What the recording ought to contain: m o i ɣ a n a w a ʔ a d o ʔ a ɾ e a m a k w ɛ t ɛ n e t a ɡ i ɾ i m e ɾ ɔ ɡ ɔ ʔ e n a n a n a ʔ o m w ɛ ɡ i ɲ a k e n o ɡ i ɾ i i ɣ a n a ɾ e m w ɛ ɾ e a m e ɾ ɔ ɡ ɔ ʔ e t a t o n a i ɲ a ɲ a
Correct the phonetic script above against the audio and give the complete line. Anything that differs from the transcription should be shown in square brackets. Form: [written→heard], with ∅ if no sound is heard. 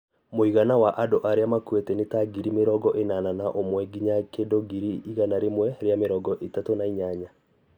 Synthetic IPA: m o i ɣ a n a w a ʔ a d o ʔ a ɾ e a m a k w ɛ t ɛ n e t a ɡ i ɾ i m e ɾ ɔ ɡ ɔ ʔ e n a n a n a ʔ o m w ɛ ɡ i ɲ a k e [n→d] o ɡ i ɾ i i ɣ a n a ɾ e m w ɛ ɾ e a m e ɾ ɔ ɡ ɔ ʔ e t a t o n a i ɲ a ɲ a